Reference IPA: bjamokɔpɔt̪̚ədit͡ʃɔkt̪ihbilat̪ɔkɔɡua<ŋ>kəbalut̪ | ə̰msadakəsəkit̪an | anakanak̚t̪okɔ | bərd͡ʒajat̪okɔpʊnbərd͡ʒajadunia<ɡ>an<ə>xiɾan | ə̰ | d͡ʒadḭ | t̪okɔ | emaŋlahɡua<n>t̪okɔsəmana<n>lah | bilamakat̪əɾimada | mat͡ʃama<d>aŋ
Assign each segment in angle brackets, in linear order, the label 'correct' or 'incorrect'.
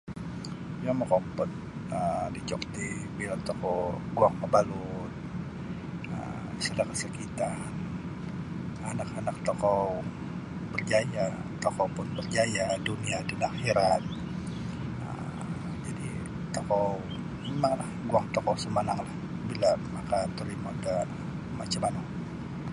correct, incorrect, incorrect, incorrect, incorrect, incorrect

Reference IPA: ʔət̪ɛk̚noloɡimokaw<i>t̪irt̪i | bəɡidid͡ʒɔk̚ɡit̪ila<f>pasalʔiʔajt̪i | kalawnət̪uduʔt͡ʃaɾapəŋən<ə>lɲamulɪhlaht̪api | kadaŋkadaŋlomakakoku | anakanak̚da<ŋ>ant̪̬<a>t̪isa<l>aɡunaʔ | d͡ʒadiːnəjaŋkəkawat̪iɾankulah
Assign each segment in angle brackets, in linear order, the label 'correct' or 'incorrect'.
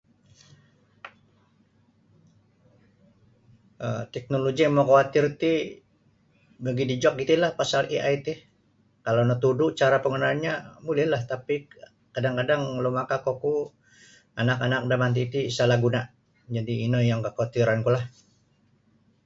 incorrect, incorrect, incorrect, incorrect, incorrect, correct

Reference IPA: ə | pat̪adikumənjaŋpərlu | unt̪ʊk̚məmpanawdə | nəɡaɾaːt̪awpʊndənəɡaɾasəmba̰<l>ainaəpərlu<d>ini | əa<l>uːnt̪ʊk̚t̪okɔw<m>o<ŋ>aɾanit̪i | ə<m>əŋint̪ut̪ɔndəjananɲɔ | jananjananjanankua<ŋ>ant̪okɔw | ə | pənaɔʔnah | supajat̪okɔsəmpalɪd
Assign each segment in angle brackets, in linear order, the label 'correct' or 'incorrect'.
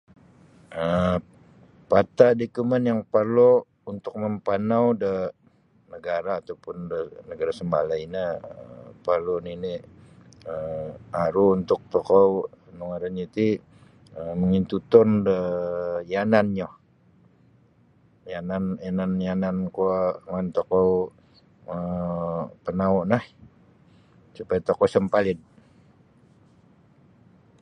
correct, incorrect, incorrect, incorrect, correct, correct, correct

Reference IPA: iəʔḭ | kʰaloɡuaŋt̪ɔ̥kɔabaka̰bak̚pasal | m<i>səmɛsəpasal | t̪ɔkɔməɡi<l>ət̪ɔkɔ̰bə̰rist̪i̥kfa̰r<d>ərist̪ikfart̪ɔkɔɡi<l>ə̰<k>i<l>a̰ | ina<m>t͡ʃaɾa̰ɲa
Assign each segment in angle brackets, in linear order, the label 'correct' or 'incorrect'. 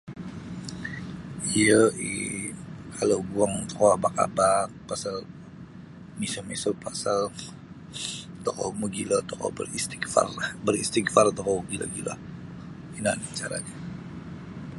correct, correct, incorrect, correct, incorrect, correct, incorrect

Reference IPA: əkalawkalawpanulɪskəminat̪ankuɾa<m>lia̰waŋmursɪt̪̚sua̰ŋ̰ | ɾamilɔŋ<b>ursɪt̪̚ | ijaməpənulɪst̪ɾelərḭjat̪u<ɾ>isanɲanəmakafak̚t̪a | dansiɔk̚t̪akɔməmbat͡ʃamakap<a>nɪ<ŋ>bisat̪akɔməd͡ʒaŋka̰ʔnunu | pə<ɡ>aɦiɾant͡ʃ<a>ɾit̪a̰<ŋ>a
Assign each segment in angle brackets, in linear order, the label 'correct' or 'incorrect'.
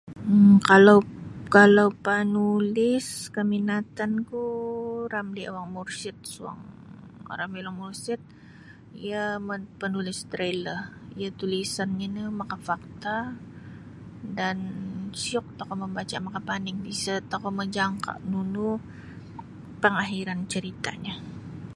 correct, incorrect, incorrect, correct, correct, incorrect, incorrect, incorrect

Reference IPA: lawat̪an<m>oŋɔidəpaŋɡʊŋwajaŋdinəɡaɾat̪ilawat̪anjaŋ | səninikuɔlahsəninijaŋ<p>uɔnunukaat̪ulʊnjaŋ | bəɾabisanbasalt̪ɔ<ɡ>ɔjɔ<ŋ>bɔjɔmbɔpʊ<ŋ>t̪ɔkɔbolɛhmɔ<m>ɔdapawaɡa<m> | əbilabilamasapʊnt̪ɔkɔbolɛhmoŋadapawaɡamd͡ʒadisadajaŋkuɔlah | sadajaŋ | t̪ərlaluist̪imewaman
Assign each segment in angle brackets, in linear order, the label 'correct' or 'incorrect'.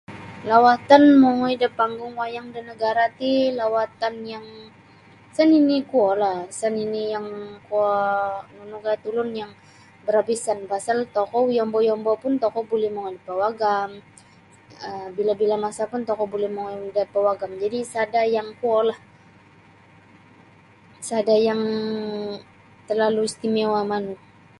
correct, incorrect, incorrect, incorrect, incorrect, incorrect, correct

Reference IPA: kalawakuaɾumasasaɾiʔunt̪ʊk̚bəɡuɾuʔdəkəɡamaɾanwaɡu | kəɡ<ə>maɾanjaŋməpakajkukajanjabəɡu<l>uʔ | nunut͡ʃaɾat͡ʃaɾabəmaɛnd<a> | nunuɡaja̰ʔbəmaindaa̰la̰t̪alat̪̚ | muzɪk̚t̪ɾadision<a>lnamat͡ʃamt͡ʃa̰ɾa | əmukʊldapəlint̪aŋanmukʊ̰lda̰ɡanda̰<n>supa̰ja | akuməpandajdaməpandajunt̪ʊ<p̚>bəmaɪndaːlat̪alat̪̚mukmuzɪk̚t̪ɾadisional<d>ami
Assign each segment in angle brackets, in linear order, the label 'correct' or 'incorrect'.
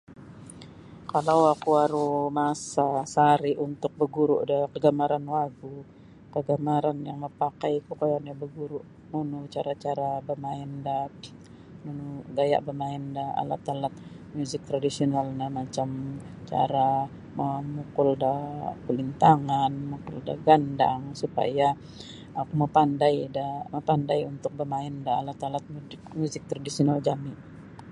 incorrect, incorrect, correct, correct, incorrect, incorrect, incorrect

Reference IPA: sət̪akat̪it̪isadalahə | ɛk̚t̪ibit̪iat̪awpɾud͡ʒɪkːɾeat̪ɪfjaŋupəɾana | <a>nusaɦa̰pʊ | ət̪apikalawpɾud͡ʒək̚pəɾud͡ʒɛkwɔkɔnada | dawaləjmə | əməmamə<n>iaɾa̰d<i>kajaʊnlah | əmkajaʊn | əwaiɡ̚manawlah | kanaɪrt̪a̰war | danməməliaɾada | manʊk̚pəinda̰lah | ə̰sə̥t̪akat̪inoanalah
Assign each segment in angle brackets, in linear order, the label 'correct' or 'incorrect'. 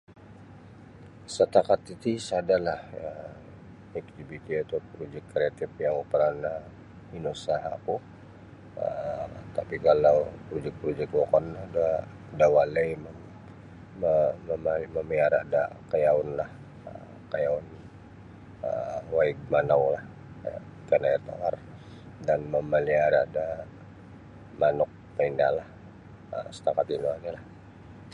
incorrect, incorrect, incorrect

